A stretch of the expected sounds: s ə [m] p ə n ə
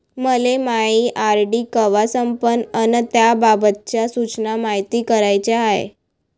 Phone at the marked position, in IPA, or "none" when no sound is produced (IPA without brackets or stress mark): m